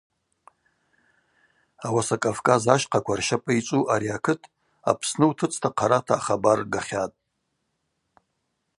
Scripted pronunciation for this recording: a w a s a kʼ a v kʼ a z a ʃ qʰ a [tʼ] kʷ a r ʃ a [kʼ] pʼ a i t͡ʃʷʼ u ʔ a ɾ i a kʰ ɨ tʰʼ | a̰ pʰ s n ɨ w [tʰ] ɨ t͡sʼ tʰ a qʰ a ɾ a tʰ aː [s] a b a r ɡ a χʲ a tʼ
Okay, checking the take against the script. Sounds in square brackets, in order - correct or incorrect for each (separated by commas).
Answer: incorrect, incorrect, correct, incorrect